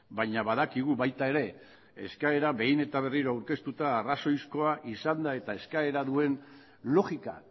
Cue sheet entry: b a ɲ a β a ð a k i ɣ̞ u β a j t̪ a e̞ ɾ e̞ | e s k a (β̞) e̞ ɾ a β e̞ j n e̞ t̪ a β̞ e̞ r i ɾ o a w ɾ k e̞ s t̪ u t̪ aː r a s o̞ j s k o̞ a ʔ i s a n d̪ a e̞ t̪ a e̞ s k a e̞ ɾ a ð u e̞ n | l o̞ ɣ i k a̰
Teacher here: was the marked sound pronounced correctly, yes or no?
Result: no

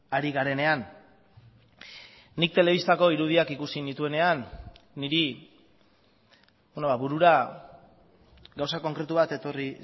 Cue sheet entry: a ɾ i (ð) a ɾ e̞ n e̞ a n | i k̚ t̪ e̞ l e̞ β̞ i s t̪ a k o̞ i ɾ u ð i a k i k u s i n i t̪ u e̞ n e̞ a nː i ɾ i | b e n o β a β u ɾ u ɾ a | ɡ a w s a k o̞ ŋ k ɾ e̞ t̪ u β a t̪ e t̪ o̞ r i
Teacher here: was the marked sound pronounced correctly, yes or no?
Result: no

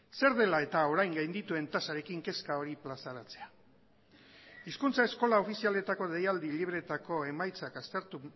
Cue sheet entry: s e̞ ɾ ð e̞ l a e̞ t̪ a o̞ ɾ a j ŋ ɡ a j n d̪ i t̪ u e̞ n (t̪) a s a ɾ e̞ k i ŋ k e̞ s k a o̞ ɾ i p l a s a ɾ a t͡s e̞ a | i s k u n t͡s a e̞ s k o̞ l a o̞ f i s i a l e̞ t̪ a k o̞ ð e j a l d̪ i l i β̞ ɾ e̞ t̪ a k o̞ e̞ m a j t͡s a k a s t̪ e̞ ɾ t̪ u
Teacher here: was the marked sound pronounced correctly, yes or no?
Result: yes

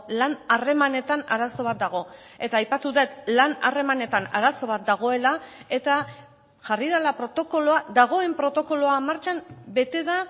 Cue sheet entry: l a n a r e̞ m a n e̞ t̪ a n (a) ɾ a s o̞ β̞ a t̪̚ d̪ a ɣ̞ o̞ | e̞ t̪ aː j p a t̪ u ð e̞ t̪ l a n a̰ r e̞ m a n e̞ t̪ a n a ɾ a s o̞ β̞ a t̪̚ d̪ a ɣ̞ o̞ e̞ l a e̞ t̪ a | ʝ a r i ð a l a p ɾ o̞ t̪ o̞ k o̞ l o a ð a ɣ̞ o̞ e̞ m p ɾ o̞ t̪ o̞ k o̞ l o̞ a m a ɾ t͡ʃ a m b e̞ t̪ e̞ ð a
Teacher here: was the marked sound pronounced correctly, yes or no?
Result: yes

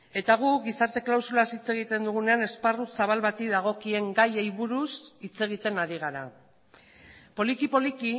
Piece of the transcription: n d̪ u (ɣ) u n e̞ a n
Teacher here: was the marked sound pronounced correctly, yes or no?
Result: yes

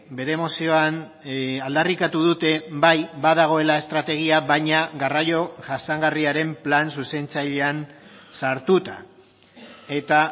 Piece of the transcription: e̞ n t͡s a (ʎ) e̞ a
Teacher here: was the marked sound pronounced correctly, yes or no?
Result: yes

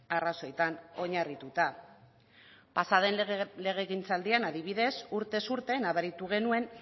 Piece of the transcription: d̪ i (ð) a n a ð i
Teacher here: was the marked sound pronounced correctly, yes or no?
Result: no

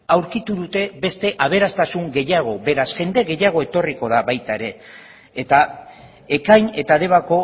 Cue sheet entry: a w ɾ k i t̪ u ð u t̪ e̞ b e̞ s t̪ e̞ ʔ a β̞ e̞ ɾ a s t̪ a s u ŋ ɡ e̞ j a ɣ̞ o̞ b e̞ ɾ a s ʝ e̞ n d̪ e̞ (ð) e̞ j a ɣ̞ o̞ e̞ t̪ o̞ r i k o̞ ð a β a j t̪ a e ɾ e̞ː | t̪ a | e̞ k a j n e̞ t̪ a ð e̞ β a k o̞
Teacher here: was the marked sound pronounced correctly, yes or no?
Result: no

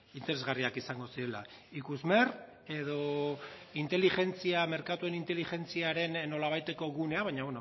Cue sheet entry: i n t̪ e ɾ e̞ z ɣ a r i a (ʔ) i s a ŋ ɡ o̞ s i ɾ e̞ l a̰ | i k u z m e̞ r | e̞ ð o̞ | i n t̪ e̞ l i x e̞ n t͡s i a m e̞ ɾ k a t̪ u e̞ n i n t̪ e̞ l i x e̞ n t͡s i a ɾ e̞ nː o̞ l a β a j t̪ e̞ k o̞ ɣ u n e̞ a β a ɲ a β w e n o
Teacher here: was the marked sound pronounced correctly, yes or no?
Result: no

